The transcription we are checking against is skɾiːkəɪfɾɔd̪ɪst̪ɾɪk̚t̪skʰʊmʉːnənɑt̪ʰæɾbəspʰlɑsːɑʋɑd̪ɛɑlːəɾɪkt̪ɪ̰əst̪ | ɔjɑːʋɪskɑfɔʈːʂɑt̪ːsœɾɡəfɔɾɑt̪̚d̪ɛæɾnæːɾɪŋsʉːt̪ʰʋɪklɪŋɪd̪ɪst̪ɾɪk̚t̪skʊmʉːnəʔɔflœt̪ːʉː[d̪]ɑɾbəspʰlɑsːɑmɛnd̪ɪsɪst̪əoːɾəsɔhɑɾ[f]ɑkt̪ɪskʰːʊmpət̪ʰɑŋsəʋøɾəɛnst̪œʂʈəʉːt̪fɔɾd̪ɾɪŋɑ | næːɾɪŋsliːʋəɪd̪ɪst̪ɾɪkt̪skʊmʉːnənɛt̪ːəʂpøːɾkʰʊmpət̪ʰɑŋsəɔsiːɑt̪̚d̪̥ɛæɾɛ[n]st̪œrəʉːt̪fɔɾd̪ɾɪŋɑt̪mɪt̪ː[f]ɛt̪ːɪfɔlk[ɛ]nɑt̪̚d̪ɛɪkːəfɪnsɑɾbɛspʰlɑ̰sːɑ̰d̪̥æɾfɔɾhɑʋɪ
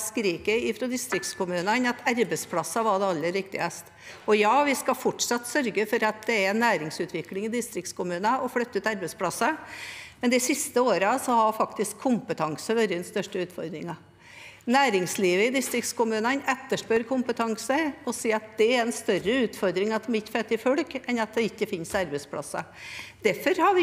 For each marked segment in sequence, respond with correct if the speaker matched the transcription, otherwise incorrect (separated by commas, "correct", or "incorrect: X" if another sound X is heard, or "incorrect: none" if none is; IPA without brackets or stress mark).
incorrect: t̪, correct, correct, correct, correct